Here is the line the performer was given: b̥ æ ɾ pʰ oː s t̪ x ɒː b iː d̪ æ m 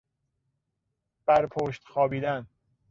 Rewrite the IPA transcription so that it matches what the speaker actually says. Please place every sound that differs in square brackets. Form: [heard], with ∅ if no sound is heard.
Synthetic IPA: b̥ æ ɾ pʰ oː [ʃ] t̪ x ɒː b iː d̪ æ [n]